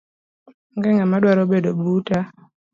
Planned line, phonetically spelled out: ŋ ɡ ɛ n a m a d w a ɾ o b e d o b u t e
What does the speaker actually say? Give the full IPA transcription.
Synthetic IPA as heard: ŋ ɡ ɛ ŋ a m a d w a ɾ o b e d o b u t a